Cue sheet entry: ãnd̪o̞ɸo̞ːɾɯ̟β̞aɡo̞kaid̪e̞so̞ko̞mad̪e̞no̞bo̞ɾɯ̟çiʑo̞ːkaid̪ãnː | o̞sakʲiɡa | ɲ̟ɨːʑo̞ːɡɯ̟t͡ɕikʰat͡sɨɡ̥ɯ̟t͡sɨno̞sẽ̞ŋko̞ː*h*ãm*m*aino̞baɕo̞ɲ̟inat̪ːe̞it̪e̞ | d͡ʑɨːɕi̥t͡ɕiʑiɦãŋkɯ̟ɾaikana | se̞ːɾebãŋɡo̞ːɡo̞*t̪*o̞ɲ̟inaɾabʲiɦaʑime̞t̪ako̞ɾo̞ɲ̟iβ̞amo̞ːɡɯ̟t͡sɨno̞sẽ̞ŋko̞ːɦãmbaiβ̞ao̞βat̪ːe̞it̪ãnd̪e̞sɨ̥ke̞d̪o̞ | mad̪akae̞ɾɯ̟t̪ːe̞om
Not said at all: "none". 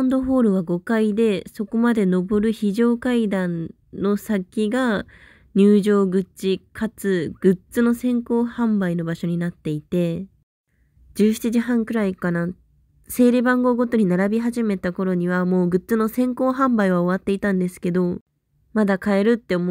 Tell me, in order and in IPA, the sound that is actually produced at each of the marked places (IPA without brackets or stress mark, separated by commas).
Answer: h, b, t̪